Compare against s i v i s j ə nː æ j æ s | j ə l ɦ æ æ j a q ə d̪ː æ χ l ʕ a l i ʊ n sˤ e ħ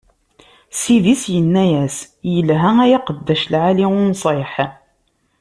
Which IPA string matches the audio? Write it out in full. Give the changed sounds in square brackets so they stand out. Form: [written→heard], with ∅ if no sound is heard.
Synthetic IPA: s i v i s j ə nː æ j æ s | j ə l ɦ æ æ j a q ə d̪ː æ [χ→ʃ] l ʕ a l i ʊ n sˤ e ħ